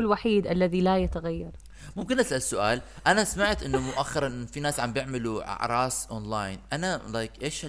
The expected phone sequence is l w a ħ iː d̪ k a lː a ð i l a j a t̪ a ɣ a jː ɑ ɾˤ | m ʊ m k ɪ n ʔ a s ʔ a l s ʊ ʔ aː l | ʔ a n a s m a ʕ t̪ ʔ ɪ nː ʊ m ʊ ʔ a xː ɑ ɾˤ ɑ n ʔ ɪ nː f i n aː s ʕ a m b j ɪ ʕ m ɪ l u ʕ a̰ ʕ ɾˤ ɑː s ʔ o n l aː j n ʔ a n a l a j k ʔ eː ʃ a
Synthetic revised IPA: l w a ħ iː d̪ ʔ a lː a ð i l a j a t̪ a ɣ a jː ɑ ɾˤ | m ʊ m k ɪ n ʔ a s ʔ a l s ʊ ʔ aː l | ʔ a n a s m a ʕ t̪ ʔ ɪ nː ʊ m ʊ ʔ a xː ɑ ɾˤ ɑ n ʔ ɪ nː f i n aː s ʕ a m b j ɪ ʕ m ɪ l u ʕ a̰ ʕ ɾˤ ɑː s ʔ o n l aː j n ʔ a n a l a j k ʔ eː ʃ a